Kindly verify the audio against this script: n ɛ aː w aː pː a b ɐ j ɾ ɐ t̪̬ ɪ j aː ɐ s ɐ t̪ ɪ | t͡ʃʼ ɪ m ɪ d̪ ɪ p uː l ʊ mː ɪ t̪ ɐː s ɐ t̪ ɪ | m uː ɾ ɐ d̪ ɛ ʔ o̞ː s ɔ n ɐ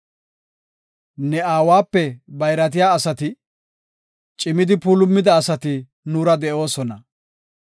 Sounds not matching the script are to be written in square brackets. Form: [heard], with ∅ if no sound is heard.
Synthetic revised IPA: n ɛ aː w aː pː [ɛ] b ɐ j ɾ ɐ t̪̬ ɪ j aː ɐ s ɐ t̪ ɪ | t͡ʃʼ ɪ m ɪ d̪ ɪ p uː l ʊ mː ɪ [d̪] ɐː s ɐ t̪ ɪ | [n] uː ɾ ɐ d̪ ɛ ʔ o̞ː s ɔ n ɐ